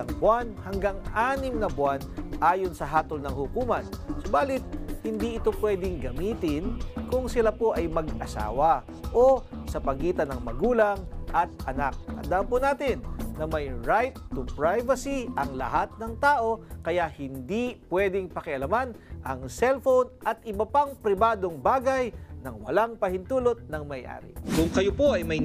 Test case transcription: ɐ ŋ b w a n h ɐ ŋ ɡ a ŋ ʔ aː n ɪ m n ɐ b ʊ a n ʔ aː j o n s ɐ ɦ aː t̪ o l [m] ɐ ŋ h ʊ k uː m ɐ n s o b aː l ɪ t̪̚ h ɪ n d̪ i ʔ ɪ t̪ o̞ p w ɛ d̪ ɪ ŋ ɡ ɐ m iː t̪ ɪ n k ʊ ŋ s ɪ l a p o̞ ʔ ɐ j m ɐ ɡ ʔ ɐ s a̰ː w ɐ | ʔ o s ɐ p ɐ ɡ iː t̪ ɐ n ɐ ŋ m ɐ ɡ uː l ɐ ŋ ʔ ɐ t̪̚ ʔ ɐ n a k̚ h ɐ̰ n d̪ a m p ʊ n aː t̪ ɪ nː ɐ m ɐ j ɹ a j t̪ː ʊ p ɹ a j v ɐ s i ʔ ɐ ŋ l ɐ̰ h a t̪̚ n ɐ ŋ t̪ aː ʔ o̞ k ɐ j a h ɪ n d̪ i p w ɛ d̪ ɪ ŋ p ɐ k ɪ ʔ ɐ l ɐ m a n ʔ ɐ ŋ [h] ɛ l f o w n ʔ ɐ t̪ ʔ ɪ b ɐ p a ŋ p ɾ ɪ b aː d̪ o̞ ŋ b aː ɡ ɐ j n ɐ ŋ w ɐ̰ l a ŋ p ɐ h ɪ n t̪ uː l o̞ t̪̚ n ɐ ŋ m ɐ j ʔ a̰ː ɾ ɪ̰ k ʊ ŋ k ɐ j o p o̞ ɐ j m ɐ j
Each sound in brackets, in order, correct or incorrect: incorrect: n, incorrect: s

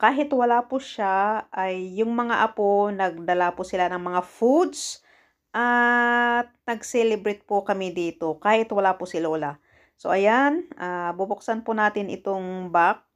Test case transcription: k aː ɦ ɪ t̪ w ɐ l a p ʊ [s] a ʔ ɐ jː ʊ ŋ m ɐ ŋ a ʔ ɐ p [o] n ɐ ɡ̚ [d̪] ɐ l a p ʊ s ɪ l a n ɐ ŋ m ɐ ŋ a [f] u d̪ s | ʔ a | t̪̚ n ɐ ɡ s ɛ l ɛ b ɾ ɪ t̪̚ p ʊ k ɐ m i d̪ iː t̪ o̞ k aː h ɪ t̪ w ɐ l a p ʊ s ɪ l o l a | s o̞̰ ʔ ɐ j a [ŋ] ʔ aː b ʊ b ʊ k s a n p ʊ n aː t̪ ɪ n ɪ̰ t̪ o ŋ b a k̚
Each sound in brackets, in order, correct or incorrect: incorrect: ʃ, correct, correct, correct, incorrect: n

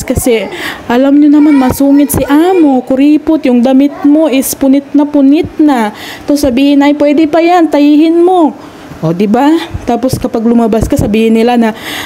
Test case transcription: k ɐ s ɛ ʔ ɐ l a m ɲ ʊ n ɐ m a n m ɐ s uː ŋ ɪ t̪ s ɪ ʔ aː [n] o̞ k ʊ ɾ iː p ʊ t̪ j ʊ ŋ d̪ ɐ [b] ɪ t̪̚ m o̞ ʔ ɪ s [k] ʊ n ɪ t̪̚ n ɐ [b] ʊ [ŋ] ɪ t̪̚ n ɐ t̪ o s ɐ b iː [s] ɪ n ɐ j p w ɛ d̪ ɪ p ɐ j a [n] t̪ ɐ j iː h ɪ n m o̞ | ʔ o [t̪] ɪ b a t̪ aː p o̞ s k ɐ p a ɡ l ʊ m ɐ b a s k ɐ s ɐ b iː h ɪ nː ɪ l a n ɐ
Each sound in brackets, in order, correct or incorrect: incorrect: m, incorrect: m, incorrect: p, incorrect: p, incorrect: n, incorrect: h, correct, incorrect: d̪

